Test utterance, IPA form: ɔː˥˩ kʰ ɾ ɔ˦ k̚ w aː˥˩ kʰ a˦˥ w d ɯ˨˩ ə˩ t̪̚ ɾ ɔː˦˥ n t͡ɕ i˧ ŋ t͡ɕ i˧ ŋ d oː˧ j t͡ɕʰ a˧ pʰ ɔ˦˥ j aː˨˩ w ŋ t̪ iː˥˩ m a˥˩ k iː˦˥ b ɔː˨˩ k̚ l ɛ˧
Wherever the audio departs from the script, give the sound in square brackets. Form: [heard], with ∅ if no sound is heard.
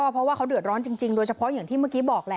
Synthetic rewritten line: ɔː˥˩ [pʰ] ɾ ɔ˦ [∅] w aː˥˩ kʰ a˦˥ w d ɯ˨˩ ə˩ t̪̚ ɾ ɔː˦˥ n t͡ɕ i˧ ŋ t͡ɕ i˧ ŋ d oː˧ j t͡ɕʰ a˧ pʰ ɔ˦˥ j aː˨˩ [∅] ŋ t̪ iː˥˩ m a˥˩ k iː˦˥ b ɔː˨˩ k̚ l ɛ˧